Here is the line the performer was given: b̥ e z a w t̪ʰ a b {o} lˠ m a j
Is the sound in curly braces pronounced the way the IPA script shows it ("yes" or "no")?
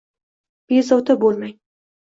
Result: yes